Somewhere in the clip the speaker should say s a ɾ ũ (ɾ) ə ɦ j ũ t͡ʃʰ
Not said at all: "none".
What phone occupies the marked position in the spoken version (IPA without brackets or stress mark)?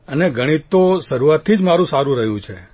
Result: ɾ